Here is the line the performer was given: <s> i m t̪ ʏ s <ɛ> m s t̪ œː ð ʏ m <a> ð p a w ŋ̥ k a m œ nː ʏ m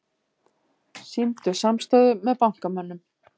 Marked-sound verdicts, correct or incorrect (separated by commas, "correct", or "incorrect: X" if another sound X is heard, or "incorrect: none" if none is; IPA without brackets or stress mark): correct, incorrect: a, incorrect: ɛ